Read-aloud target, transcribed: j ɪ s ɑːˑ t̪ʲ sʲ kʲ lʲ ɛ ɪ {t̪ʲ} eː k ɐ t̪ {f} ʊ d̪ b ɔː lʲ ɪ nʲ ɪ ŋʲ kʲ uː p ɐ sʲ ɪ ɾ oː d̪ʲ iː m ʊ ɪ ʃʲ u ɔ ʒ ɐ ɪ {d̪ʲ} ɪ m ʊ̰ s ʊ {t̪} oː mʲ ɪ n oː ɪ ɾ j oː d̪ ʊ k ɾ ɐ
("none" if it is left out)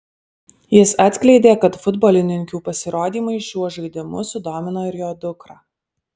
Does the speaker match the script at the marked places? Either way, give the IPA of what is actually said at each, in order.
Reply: d̪ʲ, f, d̪ʲ, d̪

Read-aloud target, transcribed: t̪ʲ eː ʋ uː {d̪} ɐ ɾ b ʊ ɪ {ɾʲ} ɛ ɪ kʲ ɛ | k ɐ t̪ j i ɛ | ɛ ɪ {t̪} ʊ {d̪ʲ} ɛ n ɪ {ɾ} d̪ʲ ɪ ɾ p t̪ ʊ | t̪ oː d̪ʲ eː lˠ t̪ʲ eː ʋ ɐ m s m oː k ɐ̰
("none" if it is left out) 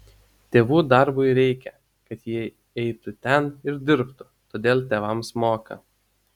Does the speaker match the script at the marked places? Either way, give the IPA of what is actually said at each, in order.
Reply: d̪, ɾʲ, t̪, t̪ʲ, ɾ

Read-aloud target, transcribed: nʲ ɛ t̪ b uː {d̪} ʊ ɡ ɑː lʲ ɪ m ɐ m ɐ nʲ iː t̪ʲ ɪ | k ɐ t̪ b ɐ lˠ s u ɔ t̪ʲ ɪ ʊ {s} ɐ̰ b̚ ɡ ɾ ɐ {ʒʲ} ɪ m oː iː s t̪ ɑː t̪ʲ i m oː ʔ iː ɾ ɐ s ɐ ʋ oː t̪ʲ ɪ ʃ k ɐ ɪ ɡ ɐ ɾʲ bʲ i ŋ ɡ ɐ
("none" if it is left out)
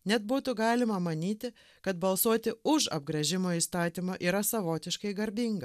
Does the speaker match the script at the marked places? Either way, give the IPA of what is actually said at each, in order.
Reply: t̪, ʃ, ʒʲ

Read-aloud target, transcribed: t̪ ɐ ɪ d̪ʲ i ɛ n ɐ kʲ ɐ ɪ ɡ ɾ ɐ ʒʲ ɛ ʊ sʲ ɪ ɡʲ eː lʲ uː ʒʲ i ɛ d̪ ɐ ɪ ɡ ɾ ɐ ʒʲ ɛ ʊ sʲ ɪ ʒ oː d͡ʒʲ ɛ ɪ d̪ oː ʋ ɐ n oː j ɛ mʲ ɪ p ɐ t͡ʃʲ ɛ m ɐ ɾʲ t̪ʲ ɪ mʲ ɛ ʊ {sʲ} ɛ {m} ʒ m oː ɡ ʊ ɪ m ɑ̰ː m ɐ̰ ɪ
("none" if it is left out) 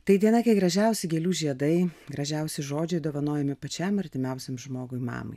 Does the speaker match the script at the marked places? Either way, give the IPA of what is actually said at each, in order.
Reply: sʲ, m

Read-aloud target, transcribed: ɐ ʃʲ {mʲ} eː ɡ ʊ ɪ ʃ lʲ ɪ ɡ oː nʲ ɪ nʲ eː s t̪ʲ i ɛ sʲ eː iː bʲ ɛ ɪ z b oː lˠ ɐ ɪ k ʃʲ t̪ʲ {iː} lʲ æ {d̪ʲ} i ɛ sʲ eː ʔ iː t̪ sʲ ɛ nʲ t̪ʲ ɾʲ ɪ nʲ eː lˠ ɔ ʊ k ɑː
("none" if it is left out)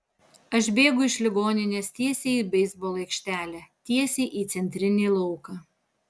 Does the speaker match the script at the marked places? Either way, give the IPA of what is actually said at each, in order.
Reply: bʲ, æː, t̪ʲ

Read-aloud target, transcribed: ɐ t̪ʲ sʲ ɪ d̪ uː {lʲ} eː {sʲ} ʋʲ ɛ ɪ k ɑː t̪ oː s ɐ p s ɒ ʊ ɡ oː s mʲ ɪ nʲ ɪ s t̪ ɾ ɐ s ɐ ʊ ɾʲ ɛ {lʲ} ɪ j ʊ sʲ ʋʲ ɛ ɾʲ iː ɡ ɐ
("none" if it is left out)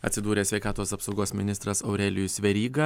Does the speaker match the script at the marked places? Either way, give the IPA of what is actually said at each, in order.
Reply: ɾʲ, sʲ, lʲ

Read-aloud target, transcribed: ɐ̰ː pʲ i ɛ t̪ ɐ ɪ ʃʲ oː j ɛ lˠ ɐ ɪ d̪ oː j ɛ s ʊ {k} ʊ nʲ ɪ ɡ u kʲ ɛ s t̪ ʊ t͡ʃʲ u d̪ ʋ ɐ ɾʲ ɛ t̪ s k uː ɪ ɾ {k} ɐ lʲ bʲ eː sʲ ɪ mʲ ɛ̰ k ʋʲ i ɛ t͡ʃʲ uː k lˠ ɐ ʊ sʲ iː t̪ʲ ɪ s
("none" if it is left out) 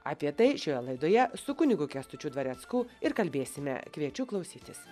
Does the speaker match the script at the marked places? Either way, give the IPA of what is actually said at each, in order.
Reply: k, k

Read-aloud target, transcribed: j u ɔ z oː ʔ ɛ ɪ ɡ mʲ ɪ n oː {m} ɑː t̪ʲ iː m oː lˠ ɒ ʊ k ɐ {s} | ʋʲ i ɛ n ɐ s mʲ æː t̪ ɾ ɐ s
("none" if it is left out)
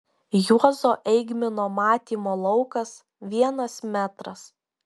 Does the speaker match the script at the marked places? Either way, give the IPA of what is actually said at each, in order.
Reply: m, s

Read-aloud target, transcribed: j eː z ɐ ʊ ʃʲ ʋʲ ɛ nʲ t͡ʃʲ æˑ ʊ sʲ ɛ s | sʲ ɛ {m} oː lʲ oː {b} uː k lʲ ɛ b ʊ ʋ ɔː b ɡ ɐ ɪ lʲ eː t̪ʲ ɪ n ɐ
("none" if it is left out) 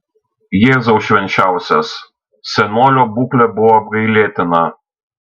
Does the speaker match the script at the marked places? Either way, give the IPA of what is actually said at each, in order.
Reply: n, b

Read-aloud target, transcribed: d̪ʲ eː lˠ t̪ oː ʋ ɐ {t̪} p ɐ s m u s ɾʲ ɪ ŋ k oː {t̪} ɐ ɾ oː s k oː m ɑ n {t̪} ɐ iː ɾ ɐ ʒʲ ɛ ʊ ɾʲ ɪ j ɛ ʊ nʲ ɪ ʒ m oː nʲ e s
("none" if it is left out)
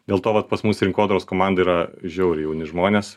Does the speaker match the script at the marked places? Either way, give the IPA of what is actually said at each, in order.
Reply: t̪, d̪, d̪

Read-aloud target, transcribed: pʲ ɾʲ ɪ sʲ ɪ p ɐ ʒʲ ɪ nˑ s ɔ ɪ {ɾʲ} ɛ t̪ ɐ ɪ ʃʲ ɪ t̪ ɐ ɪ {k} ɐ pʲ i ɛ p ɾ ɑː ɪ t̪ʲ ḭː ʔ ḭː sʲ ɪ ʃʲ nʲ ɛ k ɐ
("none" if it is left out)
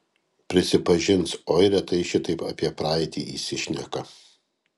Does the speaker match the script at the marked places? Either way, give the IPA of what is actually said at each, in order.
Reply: ɾʲ, p

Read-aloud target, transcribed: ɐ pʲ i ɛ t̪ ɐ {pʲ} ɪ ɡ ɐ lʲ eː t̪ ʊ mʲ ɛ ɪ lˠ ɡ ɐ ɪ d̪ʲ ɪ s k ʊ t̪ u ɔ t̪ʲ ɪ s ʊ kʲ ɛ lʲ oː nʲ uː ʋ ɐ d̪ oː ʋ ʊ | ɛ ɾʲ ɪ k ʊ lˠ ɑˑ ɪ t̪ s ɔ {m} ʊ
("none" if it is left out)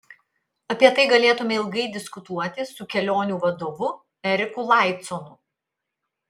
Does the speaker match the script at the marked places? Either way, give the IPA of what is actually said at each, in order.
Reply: none, n

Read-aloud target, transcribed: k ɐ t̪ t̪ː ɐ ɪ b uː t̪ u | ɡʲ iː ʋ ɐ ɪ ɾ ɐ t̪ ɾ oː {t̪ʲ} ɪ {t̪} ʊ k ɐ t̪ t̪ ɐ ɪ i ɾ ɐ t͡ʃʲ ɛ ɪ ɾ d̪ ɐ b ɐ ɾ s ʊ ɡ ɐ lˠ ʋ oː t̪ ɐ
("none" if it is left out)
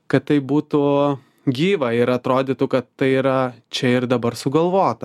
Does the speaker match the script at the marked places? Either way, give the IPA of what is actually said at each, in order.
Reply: d̪ʲ, t̪

